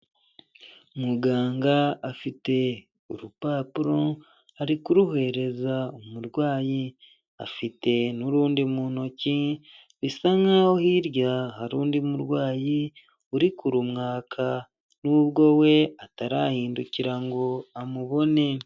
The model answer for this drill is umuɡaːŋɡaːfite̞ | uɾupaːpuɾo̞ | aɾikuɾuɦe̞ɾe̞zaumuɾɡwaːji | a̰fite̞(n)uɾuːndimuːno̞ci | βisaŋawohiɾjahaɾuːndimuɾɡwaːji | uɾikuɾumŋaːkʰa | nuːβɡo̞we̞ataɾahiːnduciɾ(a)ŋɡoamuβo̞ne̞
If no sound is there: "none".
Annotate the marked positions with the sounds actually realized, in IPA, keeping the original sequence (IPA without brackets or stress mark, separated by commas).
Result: n, a